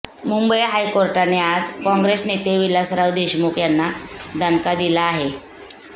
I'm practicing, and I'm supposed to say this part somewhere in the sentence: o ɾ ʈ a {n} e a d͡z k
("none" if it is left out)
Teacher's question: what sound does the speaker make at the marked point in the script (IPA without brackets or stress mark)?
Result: n